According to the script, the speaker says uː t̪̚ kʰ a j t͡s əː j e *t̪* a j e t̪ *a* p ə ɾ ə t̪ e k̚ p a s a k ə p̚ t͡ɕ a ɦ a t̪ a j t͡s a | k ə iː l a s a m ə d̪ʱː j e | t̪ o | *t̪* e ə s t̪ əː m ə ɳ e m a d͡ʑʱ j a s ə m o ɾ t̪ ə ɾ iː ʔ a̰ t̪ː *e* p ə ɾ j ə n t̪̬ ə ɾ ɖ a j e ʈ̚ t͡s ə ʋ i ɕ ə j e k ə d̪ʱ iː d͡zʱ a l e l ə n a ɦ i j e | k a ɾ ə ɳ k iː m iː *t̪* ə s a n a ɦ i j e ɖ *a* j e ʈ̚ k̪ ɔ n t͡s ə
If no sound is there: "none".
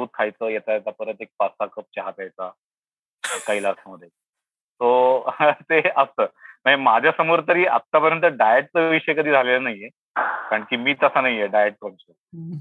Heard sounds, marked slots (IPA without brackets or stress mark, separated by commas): t̪, a, t̪, a, t̪, a